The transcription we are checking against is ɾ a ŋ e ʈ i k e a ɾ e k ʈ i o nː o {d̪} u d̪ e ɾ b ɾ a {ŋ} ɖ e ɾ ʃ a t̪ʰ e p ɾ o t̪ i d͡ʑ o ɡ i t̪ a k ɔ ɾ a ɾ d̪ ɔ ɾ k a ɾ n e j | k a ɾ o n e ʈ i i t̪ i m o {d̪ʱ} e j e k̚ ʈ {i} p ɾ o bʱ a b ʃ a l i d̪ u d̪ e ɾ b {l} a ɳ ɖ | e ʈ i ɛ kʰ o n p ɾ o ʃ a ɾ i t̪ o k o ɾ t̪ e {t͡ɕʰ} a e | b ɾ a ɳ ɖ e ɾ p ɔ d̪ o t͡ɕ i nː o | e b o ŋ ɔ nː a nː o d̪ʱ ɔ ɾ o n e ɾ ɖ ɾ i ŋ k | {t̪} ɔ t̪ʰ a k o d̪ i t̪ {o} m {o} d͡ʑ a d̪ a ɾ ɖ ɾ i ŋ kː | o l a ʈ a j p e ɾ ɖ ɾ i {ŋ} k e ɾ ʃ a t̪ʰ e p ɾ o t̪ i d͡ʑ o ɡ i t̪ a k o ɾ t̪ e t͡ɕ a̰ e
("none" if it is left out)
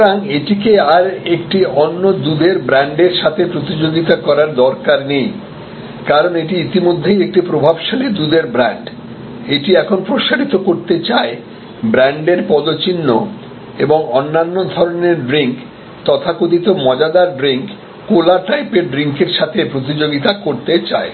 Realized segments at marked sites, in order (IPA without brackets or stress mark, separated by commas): d̪, ɳ, d̪ʱː, i, ɾ, t͡ɕ, t̪, o, ɔ, ŋ